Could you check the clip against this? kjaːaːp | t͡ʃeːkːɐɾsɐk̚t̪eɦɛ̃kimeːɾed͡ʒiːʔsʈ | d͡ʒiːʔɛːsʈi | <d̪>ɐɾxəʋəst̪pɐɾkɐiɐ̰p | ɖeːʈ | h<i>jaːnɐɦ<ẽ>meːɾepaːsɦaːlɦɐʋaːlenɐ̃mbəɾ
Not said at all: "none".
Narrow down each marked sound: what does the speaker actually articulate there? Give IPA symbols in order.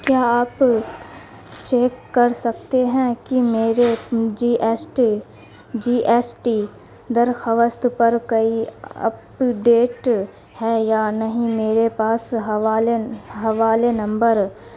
d̪, ɛ, ĩ

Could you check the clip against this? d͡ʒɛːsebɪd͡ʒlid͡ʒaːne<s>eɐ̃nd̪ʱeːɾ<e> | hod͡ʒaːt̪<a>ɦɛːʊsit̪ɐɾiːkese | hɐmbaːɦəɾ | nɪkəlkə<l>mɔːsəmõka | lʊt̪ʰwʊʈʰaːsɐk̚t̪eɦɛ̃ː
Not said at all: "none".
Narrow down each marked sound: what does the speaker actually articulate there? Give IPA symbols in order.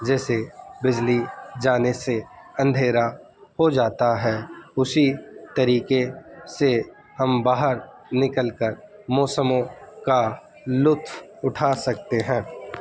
s, a, a, ɾ

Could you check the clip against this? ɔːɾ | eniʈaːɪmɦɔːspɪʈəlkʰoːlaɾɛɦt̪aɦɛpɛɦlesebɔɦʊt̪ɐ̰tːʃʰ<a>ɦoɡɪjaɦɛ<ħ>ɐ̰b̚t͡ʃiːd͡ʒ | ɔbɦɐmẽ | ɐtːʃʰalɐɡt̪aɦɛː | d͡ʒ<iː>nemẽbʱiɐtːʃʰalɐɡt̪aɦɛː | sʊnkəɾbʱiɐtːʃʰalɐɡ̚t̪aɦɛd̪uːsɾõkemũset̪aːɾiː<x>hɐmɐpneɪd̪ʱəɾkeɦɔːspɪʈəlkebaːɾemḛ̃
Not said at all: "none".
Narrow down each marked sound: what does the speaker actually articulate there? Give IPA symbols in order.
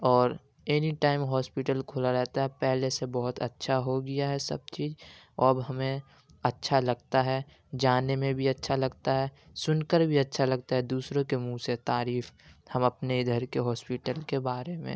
a, s, aː, f

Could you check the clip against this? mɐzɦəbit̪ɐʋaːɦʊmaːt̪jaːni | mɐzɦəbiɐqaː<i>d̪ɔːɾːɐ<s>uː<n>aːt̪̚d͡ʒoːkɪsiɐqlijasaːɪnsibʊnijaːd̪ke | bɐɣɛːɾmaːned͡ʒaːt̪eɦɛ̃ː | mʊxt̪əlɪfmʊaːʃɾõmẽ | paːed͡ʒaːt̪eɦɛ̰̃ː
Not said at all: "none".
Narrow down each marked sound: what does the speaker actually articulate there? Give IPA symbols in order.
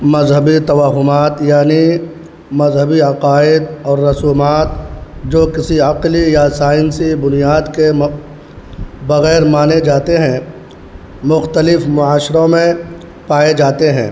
ɪ, s, m

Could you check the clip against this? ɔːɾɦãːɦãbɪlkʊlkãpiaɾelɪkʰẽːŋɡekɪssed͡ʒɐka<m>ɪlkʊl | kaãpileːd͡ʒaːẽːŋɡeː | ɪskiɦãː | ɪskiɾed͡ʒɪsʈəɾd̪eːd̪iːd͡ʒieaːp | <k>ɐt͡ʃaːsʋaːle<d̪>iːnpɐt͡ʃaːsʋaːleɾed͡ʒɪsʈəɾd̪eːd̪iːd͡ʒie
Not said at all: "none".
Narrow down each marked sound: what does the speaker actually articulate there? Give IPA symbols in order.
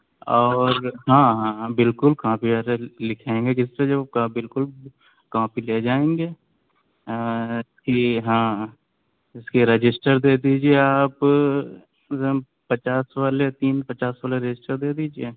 b, p, t̪

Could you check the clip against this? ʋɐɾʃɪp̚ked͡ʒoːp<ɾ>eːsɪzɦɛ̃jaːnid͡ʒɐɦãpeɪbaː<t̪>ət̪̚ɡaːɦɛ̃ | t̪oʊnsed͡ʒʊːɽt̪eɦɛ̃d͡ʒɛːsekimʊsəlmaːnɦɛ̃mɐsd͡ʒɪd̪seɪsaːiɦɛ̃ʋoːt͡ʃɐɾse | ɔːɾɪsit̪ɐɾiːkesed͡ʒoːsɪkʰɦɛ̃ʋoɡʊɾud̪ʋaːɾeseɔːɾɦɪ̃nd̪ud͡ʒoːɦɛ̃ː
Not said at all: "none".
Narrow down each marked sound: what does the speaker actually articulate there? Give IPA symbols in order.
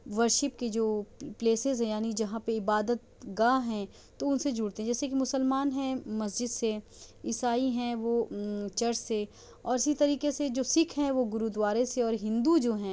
l, d̪

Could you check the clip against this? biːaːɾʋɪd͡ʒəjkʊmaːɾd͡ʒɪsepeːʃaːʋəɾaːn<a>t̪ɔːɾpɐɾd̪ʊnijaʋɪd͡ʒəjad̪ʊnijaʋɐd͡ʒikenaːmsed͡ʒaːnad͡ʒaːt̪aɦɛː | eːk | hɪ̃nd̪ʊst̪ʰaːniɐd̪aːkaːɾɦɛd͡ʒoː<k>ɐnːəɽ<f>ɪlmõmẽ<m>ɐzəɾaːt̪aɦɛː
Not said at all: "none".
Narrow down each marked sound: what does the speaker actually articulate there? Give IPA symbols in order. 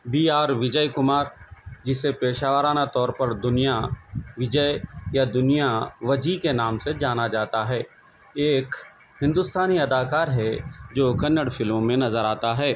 a, k, f, n

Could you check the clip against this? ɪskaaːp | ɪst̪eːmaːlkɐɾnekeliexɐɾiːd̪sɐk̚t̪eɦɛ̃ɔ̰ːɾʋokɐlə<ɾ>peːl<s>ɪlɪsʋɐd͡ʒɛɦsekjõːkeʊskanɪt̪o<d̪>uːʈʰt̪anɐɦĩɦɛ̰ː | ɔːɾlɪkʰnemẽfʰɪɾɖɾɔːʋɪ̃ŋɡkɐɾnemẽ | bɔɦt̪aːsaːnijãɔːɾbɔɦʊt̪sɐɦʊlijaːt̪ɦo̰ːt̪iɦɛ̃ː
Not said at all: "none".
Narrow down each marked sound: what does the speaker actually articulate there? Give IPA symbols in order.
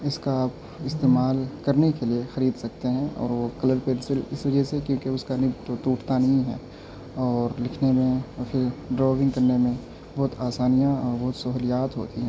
ɾ, s, t̪

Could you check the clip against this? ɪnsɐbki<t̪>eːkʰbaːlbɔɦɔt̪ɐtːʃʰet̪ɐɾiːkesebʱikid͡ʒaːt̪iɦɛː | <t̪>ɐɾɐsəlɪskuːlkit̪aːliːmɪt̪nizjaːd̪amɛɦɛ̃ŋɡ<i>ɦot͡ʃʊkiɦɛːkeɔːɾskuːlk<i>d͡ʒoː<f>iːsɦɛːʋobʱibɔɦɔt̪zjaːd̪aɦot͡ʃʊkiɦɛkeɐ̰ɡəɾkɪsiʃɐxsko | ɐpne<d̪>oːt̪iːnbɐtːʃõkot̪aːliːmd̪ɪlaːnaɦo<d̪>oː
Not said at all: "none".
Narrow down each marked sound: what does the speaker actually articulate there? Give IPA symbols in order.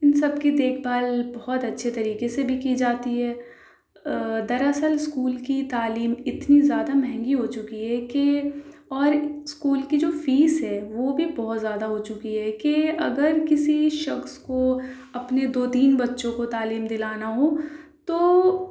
d̪, d̪, i, i, f, d̪, t̪

